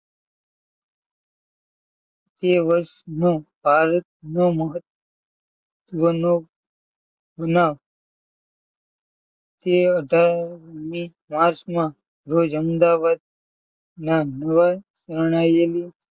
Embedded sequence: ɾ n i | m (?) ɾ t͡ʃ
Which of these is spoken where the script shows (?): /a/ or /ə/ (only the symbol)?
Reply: a